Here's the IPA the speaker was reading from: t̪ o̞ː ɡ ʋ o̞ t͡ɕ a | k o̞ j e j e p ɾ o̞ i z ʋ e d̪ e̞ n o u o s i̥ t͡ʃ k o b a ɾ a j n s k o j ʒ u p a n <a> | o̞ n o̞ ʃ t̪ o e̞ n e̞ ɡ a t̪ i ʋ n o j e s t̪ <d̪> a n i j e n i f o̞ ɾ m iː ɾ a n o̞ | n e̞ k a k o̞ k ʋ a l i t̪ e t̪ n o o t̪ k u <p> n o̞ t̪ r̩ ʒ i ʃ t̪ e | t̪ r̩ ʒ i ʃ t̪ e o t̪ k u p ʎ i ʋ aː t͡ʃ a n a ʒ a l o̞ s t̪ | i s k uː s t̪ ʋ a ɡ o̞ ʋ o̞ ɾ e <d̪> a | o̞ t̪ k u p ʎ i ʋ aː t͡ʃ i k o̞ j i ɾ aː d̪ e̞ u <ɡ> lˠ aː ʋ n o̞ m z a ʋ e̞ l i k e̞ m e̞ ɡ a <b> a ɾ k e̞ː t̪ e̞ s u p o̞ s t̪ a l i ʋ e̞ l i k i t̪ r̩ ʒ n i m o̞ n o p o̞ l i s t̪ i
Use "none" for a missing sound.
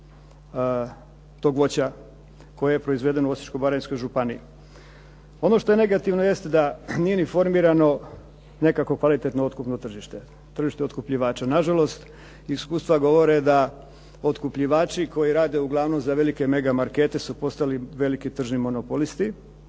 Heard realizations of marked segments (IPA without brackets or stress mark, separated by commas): i, d̪, p, d̪, ɡ, m